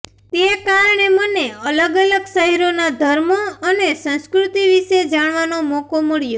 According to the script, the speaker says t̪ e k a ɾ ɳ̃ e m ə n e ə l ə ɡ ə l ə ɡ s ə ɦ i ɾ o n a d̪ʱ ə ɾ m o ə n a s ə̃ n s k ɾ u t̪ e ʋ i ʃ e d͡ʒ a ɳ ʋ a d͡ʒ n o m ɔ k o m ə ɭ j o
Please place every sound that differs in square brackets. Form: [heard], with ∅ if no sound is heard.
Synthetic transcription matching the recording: t̪ e k a ɾ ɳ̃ e m ə n e ə l ə ɡ ə l ə ɡ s ə ɦ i ɾ o n a d̪ʱ ə ɾ m o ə n [e] s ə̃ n s k ɾ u t̪ [i] ʋ i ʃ e d͡ʒ a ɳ ʋ a [∅] n o m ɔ k o m ə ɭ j o